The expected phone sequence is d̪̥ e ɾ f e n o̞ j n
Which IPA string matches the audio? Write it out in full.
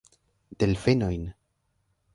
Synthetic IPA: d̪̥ e l f e n o̞ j n